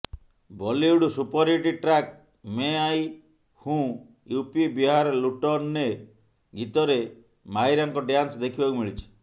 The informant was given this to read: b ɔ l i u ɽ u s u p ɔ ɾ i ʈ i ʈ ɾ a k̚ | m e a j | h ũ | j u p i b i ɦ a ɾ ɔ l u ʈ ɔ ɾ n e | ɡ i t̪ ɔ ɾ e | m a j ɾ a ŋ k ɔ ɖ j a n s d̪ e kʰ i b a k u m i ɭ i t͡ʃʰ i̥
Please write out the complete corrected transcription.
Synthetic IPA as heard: b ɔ l i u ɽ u s u p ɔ ɾ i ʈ i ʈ ɾ a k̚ | m e a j | h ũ | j u p i b i ɦ a ɾ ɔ l u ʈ ɔ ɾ n e | ɡ i t̪ ɔ ɾ e | m a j ɾ a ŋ k ɔ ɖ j a n s d̪ e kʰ i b a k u m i ɭ i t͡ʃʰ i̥